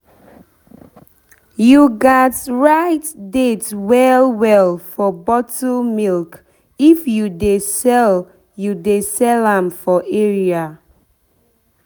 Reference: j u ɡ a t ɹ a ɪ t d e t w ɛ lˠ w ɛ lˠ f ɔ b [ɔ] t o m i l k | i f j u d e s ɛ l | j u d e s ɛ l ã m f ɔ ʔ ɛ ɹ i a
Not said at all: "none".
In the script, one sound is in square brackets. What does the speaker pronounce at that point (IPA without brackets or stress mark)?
ɔ